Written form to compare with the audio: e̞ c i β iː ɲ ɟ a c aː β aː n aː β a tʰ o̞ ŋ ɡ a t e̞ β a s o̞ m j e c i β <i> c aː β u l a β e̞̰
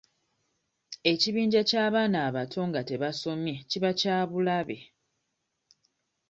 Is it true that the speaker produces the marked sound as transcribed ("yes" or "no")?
no